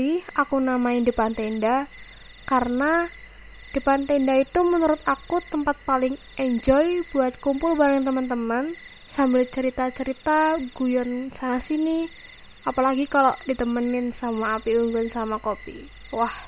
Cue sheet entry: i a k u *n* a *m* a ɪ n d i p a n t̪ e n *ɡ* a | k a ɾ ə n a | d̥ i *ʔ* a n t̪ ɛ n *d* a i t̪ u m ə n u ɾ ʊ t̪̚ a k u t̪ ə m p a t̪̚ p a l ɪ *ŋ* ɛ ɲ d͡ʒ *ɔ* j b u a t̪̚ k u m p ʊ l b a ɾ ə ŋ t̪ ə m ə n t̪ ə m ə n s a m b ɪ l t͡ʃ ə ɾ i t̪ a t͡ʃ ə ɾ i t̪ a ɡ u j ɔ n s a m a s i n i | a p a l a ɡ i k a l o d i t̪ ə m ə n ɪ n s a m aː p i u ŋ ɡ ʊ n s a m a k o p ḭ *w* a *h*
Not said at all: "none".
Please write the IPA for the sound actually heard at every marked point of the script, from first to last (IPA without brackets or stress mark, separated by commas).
n, m, d, p, d, ŋ, ɔ, w, h